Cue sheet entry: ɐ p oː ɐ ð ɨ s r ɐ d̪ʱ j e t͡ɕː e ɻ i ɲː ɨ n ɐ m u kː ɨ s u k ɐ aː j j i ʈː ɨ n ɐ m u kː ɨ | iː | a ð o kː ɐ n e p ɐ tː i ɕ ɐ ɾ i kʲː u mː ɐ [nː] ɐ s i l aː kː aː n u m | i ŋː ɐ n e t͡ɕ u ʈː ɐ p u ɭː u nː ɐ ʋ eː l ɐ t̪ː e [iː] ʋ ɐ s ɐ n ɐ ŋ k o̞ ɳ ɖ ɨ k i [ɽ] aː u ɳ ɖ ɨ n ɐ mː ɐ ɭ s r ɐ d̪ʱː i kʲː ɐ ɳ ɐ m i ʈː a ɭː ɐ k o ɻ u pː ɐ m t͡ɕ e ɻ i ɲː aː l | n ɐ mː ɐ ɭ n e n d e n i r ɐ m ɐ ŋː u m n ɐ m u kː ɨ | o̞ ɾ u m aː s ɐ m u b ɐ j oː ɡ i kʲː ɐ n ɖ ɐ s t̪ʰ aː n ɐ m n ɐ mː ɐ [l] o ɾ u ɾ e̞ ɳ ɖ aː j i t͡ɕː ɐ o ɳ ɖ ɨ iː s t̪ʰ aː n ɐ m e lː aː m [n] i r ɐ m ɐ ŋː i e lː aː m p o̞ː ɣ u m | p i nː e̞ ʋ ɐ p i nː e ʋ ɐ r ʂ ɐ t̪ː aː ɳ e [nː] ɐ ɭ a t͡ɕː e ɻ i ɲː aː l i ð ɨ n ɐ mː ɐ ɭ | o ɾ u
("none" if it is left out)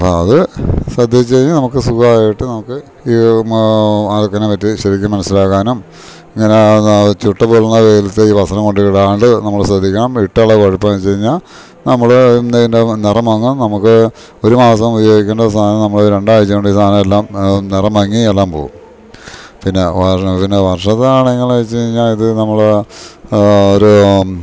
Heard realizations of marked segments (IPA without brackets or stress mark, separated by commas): n, iː, ɽ, ɭ, n, ŋː